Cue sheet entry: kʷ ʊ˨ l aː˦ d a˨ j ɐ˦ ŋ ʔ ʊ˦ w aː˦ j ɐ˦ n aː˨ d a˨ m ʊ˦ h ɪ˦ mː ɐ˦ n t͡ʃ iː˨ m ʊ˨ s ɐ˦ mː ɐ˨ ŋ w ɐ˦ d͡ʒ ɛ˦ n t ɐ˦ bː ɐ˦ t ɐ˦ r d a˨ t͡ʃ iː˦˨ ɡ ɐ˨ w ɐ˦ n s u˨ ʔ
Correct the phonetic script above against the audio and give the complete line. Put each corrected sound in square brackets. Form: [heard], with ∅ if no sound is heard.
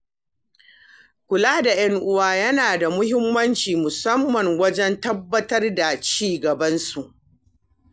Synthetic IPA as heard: kʷ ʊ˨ l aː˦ d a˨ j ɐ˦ ŋ ʔ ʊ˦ w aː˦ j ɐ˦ n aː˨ d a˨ m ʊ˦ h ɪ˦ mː ɐ˦ n t͡ʃ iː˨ m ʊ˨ s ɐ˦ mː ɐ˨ ŋ w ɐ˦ d͡ʒ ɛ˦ n t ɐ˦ bː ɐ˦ t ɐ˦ r d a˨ t͡ʃ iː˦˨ ɡ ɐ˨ [b] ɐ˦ n s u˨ ʔ